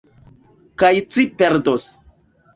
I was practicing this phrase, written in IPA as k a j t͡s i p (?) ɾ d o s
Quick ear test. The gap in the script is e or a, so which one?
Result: e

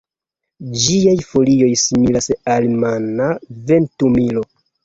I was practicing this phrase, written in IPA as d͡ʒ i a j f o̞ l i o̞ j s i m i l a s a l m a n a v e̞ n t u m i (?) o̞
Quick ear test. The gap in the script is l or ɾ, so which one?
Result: l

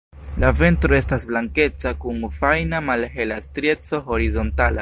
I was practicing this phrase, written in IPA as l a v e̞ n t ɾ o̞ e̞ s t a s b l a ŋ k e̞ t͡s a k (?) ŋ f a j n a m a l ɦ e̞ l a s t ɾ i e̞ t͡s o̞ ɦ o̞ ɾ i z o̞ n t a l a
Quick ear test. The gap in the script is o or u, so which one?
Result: u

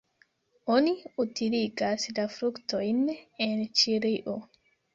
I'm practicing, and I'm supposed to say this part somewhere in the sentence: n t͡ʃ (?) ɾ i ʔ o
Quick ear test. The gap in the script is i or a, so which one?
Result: i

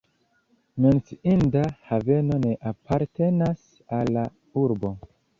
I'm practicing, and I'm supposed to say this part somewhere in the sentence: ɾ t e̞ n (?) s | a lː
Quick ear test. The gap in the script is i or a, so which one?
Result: a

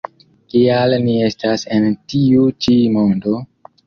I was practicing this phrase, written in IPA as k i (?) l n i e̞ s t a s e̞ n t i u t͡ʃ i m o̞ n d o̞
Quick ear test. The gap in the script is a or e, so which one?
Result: a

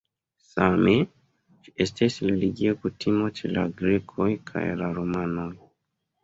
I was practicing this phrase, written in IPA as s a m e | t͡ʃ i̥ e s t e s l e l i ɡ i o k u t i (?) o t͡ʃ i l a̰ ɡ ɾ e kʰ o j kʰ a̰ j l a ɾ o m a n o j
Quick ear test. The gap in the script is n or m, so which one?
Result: m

